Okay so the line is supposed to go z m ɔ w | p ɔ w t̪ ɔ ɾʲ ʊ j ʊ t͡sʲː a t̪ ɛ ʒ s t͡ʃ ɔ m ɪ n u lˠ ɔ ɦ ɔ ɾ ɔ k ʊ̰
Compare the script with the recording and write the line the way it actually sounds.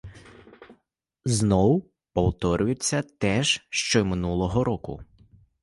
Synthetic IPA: z n ɔ w | p ɔ w t̪ ɔ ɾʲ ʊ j ʊ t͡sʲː ɐ t̪ ɛ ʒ ʃ t͡ʃ ɔ m ɪ n u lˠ ɔ ɦ ɔ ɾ ɔ k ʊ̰